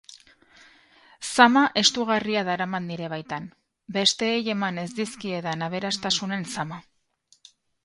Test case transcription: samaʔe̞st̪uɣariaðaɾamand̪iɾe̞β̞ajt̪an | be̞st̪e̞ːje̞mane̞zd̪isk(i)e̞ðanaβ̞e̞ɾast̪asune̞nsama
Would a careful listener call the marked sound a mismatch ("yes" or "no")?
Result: no